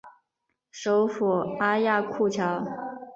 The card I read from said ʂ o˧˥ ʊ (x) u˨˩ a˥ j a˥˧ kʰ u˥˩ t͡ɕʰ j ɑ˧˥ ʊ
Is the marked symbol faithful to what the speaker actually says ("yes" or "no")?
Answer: no